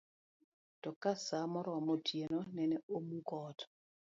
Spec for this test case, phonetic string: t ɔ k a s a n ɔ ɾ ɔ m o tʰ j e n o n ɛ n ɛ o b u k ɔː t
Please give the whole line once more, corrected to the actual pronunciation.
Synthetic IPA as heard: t ɔ k a s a m ɔ ɾ ɔ m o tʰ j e n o n ɛ n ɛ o m u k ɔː t